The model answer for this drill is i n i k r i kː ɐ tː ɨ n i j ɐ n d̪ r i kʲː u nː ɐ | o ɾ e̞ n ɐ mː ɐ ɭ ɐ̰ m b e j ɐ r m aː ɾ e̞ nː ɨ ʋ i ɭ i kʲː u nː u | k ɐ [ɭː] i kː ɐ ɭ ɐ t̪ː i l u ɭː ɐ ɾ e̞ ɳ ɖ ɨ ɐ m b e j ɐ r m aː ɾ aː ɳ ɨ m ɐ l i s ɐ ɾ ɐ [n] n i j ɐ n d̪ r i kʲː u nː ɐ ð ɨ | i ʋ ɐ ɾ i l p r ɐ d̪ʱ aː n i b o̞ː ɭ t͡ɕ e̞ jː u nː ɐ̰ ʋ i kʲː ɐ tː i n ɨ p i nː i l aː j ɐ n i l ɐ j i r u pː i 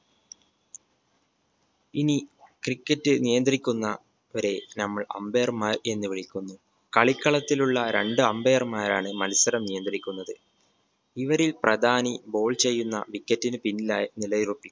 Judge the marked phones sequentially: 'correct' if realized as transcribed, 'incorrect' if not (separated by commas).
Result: incorrect, incorrect